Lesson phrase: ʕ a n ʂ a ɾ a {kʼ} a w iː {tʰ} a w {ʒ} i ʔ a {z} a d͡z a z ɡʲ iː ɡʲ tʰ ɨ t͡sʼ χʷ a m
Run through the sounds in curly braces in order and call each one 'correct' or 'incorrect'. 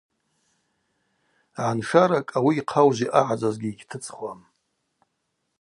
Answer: correct, incorrect: qʰ, correct, incorrect: ʕ

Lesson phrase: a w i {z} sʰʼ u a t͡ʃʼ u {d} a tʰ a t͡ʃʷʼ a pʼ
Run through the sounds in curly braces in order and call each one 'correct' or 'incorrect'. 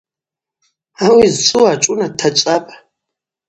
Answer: correct, incorrect: n

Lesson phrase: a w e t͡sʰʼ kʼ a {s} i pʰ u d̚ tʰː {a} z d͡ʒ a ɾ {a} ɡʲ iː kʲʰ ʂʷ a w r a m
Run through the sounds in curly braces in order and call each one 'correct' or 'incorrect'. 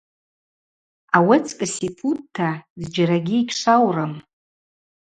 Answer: correct, correct, correct

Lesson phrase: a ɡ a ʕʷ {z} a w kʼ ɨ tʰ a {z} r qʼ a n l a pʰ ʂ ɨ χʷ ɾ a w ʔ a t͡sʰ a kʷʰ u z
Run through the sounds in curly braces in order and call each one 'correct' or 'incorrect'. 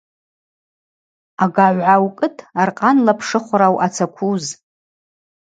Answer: incorrect: ʕ, incorrect: none

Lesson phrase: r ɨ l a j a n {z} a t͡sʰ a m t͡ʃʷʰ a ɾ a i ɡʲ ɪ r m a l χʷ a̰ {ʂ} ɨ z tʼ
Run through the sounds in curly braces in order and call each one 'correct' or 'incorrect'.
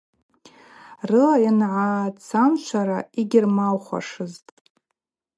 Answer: incorrect: ʕ, correct

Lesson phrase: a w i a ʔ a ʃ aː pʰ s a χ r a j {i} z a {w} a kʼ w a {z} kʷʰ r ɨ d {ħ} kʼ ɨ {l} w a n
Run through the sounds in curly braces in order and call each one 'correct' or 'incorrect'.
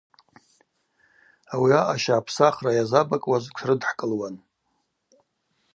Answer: incorrect: a, incorrect: b, correct, correct, correct

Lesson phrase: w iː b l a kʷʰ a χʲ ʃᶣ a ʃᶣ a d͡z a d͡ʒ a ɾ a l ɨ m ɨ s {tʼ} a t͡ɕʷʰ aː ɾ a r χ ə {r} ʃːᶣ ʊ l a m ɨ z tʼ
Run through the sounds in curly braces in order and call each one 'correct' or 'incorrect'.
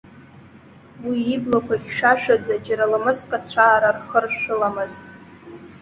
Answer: incorrect: kʼ, correct

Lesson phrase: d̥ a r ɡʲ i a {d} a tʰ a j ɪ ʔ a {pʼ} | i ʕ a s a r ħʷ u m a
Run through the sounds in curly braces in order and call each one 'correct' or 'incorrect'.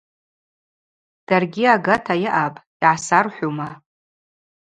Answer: incorrect: ɡ, correct

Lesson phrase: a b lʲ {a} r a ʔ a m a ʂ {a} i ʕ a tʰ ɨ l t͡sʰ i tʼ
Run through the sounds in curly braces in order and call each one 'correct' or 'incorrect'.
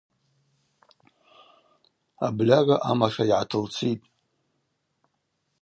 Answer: correct, correct

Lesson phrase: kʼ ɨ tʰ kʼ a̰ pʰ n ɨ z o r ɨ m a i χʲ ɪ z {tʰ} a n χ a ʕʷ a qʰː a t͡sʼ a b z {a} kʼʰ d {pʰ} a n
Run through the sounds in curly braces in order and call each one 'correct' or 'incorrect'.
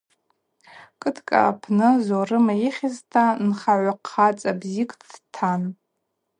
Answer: correct, incorrect: i, incorrect: tʰ

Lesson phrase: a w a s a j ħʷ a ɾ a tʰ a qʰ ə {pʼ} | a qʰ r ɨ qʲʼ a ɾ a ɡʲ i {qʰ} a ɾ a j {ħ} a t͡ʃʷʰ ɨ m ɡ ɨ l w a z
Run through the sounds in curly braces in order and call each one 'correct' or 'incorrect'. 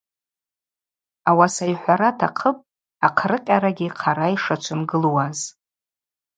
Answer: correct, correct, incorrect: ʂ

